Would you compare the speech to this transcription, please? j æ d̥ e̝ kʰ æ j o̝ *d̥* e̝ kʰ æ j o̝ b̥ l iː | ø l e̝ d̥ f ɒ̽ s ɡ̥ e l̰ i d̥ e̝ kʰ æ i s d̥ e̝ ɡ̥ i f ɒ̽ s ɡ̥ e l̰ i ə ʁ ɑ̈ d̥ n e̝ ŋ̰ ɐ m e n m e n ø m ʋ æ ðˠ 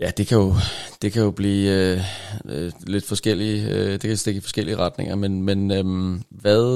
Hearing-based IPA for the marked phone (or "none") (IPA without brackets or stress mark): d̥